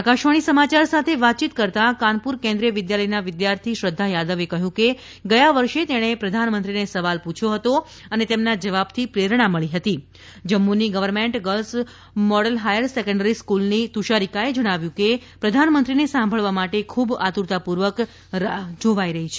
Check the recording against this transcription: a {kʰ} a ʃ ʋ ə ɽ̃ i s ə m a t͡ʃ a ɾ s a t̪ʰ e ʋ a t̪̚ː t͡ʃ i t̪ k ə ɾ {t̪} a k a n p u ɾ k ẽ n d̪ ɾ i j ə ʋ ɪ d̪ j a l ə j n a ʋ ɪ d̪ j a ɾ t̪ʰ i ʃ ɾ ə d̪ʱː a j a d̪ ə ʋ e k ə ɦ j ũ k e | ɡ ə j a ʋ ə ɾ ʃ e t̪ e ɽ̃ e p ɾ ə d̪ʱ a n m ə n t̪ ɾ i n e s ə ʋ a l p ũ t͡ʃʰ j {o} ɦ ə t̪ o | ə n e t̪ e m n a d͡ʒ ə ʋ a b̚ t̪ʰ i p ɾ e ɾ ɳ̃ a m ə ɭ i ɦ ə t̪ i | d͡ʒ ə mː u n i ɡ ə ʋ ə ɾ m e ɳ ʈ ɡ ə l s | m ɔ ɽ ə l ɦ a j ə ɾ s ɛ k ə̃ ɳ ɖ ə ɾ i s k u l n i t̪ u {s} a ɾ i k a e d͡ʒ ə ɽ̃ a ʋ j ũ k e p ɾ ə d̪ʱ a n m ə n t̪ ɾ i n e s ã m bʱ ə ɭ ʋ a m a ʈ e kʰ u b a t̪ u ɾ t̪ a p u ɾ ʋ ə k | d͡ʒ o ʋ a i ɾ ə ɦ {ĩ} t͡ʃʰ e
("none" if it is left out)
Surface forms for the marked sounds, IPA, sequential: k, t̪, o, ʃ, i

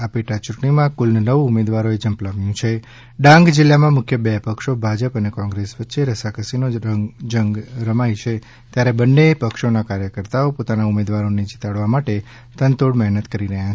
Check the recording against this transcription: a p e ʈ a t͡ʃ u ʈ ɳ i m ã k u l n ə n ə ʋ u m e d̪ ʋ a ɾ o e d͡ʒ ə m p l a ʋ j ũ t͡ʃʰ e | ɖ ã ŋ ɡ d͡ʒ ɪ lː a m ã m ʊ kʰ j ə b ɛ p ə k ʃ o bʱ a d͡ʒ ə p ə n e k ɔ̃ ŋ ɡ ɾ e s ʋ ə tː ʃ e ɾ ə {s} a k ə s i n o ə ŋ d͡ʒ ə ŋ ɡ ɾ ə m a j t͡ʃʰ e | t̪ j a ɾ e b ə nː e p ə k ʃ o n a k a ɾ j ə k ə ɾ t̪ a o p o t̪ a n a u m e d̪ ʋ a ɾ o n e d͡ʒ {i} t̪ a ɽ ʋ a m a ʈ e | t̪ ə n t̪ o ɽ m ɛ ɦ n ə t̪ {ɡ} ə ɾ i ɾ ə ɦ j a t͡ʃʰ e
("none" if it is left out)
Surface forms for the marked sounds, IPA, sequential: s, i, k

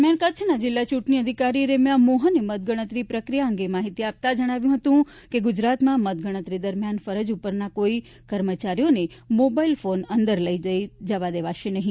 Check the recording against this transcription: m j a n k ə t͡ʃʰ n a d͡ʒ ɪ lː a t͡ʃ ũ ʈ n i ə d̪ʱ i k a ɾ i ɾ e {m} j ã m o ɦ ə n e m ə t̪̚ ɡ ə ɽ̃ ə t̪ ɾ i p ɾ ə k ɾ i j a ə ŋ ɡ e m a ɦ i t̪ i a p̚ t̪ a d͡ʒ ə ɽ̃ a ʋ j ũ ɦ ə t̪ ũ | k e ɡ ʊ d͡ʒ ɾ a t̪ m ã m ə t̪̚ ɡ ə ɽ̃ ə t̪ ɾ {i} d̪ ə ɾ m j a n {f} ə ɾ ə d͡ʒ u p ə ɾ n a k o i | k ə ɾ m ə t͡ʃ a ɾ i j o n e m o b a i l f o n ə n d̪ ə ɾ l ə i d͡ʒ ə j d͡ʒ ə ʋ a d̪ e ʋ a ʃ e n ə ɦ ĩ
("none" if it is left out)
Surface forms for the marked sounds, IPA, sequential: m, i, f

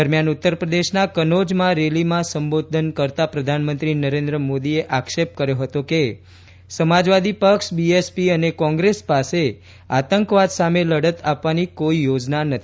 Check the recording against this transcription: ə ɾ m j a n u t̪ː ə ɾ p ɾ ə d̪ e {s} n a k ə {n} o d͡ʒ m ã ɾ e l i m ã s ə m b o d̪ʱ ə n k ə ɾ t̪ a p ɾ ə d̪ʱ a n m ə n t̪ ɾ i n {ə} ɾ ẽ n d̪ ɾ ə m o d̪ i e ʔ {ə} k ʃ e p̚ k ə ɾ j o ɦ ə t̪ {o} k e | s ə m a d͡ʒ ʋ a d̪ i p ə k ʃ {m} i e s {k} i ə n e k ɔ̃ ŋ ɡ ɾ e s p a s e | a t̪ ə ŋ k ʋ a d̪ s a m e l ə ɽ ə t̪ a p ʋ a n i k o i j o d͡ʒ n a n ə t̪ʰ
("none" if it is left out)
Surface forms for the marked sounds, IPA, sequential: ʃ, n, ə, a, o, b, p

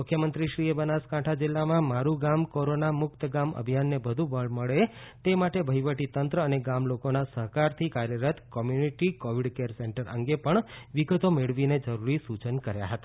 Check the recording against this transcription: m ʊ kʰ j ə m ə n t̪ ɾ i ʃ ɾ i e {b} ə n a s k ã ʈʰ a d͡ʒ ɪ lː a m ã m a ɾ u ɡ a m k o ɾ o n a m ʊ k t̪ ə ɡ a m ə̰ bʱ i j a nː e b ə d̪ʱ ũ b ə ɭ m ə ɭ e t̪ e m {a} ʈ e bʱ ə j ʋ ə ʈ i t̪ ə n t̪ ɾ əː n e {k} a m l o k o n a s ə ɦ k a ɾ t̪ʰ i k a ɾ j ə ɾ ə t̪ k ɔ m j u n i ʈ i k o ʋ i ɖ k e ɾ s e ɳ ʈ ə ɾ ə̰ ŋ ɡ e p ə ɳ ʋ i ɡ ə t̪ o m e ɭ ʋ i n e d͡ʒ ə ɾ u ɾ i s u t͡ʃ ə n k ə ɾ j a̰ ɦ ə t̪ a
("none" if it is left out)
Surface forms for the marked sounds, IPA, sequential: b, a, ɡ

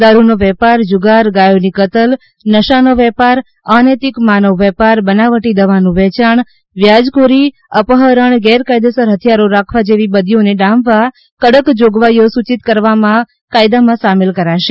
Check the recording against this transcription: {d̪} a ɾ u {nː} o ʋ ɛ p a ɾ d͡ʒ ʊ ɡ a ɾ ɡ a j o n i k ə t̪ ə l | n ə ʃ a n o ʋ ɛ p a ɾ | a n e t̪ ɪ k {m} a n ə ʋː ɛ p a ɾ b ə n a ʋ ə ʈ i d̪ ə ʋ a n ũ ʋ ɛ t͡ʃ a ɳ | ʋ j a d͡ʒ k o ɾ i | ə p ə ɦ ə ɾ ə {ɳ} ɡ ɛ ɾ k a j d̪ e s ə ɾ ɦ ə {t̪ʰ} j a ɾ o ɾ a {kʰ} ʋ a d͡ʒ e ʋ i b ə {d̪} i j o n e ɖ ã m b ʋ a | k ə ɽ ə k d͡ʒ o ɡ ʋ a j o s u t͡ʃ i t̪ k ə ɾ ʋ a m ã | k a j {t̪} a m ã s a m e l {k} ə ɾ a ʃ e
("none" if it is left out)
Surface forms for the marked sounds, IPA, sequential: d̪, n, m, ɳ, t̪ʰ, kʰ, d̪, d̪, k

